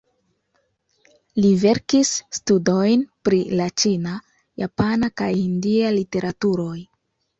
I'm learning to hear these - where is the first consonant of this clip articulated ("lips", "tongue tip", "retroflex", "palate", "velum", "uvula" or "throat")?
tongue tip